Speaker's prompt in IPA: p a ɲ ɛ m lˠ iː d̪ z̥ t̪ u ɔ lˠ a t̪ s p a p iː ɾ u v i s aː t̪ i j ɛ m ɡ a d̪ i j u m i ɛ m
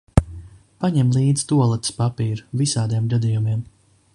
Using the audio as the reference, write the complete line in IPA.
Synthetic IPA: p a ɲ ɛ m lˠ iː d̪ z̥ t̪ u ɔ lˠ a t̪ s p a p iː ɾ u v i s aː d̪ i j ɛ m ɡ a d̪ i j u m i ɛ m